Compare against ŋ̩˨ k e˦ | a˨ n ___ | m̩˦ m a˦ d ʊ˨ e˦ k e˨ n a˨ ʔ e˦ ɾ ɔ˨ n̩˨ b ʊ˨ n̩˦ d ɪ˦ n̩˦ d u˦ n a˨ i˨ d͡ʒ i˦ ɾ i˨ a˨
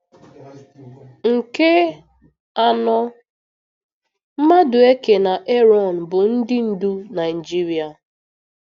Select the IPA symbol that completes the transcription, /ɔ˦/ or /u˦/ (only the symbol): ɔ˦